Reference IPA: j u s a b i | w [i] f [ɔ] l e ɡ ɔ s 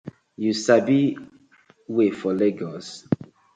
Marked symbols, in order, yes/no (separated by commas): no, yes